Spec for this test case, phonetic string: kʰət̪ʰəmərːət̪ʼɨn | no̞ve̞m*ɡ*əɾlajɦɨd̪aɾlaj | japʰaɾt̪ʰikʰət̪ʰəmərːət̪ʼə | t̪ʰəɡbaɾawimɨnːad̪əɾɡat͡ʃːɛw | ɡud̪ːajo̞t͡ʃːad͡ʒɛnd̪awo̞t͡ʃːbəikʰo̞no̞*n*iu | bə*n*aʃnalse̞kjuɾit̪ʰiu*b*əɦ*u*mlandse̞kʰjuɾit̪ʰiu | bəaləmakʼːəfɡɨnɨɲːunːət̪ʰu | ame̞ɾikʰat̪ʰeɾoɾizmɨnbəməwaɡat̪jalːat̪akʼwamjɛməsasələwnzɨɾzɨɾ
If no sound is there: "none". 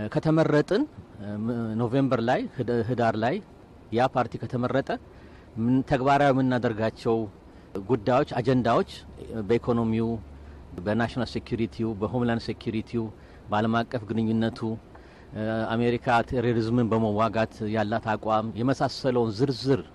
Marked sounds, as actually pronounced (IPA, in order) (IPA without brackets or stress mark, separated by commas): b, m, n, b, o